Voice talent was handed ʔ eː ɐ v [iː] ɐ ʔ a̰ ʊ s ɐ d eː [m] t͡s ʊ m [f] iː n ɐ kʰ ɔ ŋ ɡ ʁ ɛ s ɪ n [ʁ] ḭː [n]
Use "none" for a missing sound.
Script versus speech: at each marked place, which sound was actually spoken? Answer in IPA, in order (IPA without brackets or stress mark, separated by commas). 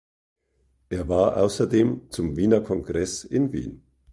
aː, m, v, v, n